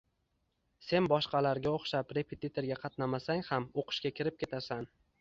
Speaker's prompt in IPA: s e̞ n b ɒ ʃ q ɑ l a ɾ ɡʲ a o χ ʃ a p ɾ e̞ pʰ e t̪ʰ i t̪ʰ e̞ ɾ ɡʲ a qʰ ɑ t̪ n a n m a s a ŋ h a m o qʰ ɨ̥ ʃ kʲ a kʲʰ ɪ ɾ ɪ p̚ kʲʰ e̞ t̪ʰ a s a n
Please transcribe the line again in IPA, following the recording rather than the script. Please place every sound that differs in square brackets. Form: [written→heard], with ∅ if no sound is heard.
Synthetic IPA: s e̞ n b ɒ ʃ q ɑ l a ɾ ɡʲ a o χ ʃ a p ɾ e̞ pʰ e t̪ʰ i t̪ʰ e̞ ɾ ɡʲ a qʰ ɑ t̪ n a [n→∅] m a s a ŋ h a m o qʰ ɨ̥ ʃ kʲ a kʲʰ ɪ ɾ ɪ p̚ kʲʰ e̞ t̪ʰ a s a n